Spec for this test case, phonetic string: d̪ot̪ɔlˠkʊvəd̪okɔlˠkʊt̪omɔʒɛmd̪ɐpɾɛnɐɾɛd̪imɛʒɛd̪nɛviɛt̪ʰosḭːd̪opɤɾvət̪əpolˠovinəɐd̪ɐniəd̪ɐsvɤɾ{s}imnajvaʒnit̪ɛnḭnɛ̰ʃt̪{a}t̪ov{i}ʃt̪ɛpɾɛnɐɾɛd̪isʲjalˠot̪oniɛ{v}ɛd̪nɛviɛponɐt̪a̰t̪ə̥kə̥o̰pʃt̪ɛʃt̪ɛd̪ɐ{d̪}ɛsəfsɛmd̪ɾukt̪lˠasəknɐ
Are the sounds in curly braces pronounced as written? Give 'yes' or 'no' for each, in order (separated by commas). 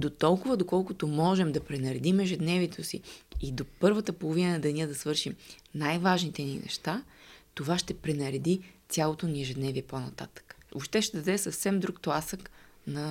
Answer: no, yes, no, no, yes